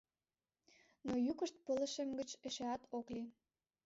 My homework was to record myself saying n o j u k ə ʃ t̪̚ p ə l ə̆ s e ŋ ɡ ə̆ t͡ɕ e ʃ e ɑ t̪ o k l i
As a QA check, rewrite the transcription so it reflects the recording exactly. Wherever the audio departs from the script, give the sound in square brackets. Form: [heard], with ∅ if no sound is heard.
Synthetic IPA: n o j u k ə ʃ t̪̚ p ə l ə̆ [ʃ] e [m] ɡ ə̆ t͡ɕ e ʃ e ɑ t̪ o k l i